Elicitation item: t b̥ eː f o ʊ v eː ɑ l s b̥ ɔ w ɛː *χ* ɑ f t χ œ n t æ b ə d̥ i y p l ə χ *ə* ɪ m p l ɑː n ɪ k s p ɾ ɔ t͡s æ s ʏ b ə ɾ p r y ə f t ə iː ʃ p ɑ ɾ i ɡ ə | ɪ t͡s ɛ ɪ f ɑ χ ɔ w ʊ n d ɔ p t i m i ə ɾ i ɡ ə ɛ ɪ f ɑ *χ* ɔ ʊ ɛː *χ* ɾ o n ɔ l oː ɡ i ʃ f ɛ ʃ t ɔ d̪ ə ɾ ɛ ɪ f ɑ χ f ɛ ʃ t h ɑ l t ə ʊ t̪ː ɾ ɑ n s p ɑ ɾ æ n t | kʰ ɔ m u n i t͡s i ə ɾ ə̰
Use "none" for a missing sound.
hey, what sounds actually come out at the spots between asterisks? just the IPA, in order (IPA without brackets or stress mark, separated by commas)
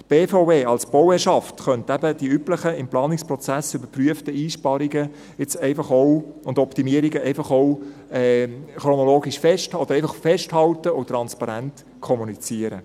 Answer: ʃ, ə, χ, χ